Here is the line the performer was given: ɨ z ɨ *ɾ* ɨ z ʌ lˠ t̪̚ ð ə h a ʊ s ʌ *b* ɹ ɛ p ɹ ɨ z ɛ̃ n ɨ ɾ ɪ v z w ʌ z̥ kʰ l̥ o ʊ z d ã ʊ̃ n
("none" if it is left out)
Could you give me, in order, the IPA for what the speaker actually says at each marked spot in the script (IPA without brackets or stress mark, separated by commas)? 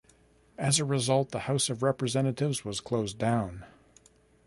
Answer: ɹ, v